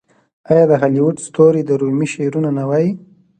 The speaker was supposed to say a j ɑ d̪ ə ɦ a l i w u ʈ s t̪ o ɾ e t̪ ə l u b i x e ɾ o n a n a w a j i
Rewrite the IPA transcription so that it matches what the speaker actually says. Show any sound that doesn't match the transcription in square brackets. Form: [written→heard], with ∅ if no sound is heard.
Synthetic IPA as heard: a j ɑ d̪ ə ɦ a l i w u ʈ s t̪ o ɾ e [t̪→d̪] ə [l→ɾ] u [b→m] i [x→ʃ] e ɾ [o→u] n a n a w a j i